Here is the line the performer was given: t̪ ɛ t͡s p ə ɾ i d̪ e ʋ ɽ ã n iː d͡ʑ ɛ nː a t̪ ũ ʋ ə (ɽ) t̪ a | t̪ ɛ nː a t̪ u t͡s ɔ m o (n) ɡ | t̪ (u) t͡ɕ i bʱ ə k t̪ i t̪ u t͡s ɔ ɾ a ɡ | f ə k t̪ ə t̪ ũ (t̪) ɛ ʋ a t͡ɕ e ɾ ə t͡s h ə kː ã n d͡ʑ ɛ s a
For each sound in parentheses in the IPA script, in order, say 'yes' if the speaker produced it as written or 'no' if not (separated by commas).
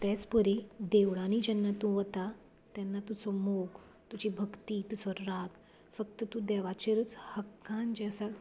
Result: no, no, yes, no